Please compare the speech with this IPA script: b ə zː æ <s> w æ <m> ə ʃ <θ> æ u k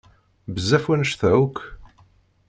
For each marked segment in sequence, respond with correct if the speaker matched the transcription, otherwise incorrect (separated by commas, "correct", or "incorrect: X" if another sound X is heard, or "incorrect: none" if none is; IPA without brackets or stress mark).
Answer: incorrect: f, incorrect: n, correct